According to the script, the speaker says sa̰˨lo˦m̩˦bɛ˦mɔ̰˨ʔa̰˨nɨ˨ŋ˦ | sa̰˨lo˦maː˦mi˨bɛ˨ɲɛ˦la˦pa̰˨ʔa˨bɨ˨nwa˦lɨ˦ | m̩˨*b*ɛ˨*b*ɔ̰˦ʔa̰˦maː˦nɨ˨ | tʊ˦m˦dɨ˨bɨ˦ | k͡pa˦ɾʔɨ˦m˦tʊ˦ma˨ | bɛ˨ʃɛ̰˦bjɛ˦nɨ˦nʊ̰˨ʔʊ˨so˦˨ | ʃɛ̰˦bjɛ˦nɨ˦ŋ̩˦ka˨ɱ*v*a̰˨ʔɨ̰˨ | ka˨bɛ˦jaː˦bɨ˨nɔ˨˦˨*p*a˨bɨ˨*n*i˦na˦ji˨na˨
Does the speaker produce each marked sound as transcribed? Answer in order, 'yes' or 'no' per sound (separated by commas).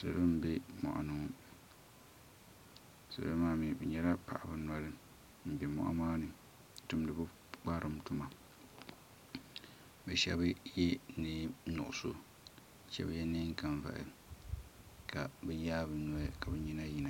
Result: yes, no, yes, no, no